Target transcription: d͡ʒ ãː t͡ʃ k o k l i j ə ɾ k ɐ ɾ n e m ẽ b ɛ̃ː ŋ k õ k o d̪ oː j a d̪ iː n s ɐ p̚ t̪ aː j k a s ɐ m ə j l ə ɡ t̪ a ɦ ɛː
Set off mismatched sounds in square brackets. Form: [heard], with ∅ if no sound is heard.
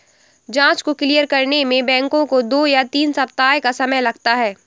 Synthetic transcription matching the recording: d͡ʒ ãː t͡ʃ k o k l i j ə ɾ k ɐ ɾ n e m ẽ b ɛ̃ː ŋ k õ k o d̪ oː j a [t̪] iː n s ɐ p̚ t̪ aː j k a s ɐ m ə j l [ɐ] ɡ t̪ a ɦ ɛː

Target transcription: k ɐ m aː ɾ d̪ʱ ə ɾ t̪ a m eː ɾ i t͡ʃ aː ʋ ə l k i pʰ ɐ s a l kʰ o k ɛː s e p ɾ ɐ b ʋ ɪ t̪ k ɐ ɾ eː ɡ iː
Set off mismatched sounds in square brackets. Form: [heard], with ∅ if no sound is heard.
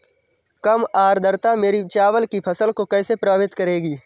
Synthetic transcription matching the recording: k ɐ m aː ɾ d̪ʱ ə ɾ t̪ a m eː ɾ i t͡ʃ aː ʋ ə l k i pʰ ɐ s [ə] l [k] o k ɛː s e p ɾ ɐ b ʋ ɪ t̪ k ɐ ɾ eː ɡ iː

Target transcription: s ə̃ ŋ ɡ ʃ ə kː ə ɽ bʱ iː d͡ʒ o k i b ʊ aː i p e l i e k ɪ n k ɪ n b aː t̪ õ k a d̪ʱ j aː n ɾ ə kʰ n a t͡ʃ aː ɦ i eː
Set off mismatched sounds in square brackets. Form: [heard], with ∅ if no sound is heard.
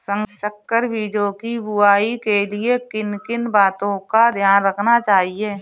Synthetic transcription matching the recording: s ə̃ ŋ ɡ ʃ ə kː ə [ɾ] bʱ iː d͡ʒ o k i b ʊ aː i [k] e l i e k ɪ n k ɪ n b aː t̪ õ k a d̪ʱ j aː n ɾ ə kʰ n a t͡ʃ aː ɦ i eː

